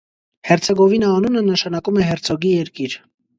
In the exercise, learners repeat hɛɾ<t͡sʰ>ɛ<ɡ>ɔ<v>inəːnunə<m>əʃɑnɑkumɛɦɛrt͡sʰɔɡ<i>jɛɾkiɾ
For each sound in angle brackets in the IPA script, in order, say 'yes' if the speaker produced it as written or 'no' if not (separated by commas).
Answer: yes, yes, yes, no, yes